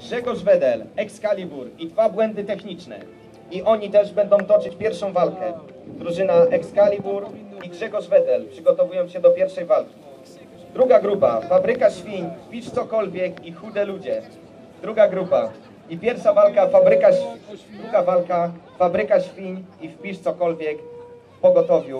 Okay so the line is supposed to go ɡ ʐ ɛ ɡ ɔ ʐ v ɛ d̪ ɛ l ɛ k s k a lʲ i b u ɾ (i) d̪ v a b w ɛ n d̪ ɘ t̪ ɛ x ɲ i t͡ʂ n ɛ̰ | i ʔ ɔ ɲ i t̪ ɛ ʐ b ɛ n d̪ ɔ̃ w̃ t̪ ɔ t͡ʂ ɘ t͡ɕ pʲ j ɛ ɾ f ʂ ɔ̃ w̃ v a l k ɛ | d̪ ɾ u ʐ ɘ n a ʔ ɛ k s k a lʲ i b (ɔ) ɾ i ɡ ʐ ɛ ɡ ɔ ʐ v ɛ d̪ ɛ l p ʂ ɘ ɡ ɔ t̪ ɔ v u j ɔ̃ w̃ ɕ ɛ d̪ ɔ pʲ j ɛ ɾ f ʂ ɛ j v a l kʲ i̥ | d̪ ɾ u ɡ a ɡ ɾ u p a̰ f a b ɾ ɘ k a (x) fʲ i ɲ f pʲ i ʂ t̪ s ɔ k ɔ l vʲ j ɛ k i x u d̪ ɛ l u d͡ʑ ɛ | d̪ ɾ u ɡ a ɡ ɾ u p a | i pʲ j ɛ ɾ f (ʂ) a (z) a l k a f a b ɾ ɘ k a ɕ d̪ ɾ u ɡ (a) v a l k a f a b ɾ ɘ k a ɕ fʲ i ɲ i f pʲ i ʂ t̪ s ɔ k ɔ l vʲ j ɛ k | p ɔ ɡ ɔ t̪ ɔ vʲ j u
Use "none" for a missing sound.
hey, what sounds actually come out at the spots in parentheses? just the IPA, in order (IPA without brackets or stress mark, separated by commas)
i, u, ɕ, ʂ, v, a